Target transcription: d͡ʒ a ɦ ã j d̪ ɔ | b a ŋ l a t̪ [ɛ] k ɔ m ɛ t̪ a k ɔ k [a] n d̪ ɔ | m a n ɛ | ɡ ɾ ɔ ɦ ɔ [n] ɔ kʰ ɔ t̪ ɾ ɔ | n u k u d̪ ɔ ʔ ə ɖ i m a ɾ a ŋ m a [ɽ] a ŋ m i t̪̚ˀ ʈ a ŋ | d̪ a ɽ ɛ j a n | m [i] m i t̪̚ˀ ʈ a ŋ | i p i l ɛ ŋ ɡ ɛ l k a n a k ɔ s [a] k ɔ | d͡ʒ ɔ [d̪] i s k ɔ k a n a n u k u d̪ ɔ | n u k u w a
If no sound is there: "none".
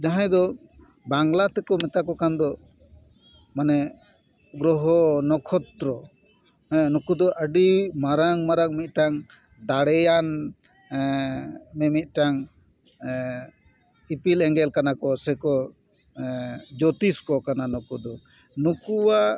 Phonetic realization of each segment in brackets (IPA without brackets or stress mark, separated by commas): ɛ, a, n, ɾ, ɛ, ɛ, t̪